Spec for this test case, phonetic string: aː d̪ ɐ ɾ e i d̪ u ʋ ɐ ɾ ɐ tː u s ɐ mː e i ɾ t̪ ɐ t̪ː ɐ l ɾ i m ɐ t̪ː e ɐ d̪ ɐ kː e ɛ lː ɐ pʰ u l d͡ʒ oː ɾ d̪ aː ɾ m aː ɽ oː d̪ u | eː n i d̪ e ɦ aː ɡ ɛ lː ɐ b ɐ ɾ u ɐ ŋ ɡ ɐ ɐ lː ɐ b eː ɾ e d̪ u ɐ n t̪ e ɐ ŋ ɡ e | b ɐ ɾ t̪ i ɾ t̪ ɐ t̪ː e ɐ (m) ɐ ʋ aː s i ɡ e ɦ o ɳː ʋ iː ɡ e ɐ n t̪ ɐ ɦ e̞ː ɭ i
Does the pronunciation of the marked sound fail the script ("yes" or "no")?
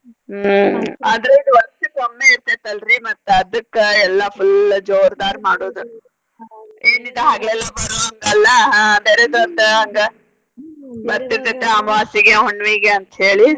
no